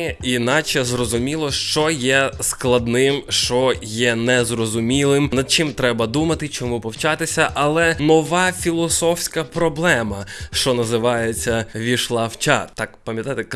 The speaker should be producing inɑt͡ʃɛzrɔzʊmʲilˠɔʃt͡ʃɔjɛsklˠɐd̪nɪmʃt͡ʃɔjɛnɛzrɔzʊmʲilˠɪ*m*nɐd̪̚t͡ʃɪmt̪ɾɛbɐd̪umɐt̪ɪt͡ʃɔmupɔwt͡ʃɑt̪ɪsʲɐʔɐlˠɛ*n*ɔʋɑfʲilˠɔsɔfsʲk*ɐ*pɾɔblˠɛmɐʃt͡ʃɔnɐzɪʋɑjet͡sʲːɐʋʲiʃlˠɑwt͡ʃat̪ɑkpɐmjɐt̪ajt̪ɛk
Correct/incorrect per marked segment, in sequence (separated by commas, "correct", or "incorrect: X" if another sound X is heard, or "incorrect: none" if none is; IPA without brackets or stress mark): correct, correct, correct